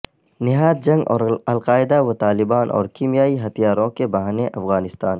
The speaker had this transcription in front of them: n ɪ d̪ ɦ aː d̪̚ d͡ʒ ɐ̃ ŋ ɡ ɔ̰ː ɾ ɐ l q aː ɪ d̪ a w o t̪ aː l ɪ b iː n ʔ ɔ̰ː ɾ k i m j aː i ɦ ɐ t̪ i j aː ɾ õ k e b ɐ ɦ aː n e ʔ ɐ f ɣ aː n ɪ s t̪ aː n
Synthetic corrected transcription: n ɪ ɦ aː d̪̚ d͡ʒ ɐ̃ ŋ ɡ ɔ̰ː ɾ ɐ l q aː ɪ d̪ a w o t̪ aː l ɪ b aː n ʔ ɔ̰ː ɾ k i m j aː i ɦ ɐ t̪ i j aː ɾ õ k e b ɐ ɦ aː n e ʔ ɐ f ɣ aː n ɪ s t̪ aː n